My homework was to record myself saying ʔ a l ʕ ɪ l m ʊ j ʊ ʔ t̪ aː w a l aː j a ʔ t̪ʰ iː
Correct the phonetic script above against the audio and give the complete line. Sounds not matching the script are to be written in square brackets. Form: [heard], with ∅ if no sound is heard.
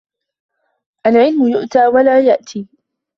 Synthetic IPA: ʔ a l ʕ ɪ l m ʊ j ʊ ʔ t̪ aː w a l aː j a ʔ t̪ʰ iː

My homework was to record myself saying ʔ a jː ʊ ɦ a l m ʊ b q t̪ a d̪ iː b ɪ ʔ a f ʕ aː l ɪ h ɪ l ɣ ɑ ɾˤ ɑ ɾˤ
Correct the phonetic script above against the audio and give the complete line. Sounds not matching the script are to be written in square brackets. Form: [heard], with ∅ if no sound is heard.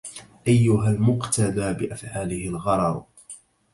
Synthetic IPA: ʔ a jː ʊ ɦ a l m ʊ [∅] q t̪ a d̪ [aː] b ɪ ʔ a f ʕ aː l ɪ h ɪ l ɣ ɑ ɾˤ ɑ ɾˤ

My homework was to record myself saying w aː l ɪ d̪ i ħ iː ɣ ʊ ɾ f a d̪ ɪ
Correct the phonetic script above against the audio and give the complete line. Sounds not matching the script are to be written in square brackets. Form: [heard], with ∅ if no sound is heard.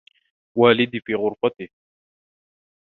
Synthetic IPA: w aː l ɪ d̪ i [f] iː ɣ ʊ ɾ f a [t̪] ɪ

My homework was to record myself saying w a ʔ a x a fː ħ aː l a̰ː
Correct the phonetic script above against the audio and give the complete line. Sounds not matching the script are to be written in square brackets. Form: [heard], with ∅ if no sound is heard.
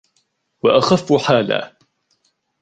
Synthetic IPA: w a ʔ a x a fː ħ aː l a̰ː

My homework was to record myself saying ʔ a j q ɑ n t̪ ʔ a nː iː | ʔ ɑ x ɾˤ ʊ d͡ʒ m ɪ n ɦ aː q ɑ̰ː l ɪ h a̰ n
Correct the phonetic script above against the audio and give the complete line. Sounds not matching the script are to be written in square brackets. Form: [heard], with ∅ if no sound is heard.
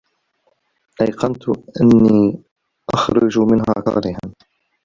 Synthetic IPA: ʔ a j q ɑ n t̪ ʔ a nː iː | ʔ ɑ x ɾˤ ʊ d͡ʒ m ɪ n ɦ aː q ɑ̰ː [ɾ] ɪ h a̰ n

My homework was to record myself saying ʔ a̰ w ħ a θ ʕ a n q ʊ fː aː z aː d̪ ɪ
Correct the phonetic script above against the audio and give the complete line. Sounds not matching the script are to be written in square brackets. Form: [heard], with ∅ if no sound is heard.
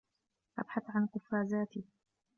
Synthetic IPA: ʔ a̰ [b] ħ a θ ʕ a n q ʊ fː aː z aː [t̪] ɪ

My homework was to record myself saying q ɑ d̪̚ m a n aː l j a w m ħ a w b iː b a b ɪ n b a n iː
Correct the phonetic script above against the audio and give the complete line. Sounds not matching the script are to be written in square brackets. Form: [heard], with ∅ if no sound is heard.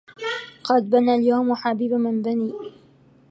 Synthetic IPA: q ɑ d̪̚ [b] a n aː l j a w m ħ a [∅] b iː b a [m] ɪ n b a n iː

